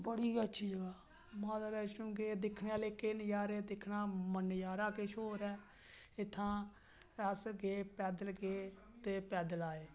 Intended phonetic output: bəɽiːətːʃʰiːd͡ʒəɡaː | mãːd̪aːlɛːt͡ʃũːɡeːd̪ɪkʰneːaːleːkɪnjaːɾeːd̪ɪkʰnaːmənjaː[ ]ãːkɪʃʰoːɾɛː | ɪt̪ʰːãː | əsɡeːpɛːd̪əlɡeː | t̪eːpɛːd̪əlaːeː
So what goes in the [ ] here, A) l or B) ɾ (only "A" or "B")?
B